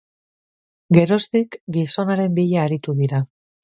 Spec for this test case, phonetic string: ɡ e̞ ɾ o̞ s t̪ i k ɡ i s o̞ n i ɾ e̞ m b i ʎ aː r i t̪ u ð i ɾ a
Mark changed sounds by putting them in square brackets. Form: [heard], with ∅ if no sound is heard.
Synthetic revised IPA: ɡ e̞ ɾ o̞ s t̪ i k ɡ i s o̞ n [a] ɾ e̞ m b i ʎ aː [ɾ] i t̪ u ð i ɾ a